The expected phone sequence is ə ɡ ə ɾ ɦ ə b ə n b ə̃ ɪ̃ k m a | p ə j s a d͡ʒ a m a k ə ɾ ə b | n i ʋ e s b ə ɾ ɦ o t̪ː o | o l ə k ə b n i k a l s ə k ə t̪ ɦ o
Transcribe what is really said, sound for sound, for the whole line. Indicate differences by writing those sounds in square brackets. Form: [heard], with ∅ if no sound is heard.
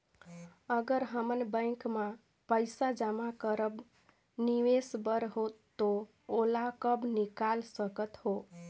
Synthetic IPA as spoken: ə ɡ ə ɾ ɦ ə [m] ə n b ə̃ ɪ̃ k m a | p ə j s a d͡ʒ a m a k ə ɾ ə b | n i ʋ e s b ə ɾ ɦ o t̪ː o | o l [a] k ə b n i k a l s ə k ə t̪ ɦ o